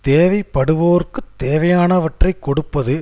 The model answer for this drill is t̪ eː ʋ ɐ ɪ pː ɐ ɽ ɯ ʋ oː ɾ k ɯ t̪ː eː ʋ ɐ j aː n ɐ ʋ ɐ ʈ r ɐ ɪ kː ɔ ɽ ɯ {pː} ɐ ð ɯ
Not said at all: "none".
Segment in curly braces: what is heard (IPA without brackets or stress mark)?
pː